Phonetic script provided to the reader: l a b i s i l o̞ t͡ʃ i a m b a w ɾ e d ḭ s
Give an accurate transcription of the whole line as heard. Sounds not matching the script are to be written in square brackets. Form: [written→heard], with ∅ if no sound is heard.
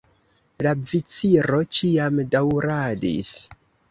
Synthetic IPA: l a [b→v] i [s→t͡s] i [l→ɾ] o̞ t͡ʃ i a m [b→d] a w ɾ [e→a] d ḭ s